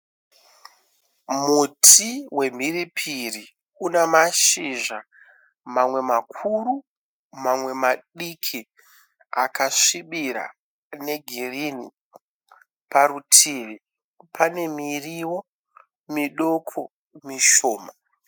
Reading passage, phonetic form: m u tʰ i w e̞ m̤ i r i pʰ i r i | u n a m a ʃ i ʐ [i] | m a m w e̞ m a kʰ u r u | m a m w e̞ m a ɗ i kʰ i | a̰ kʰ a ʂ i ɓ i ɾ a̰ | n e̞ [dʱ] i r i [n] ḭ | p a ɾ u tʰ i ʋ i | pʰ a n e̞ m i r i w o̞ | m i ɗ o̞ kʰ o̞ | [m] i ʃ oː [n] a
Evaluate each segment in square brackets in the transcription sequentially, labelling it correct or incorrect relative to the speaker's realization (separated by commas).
incorrect, incorrect, correct, correct, incorrect